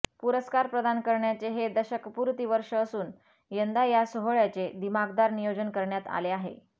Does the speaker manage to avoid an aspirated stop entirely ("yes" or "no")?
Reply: yes